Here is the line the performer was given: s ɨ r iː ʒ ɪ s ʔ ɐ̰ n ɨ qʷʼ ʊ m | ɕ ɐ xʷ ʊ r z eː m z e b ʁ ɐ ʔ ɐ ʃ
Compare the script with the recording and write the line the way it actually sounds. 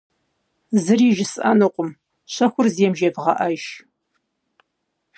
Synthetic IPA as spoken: z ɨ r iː ʒ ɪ s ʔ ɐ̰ n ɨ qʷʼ ʊ m | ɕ ɐ xʷ ʊ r z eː m ʒ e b ʁ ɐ ʔ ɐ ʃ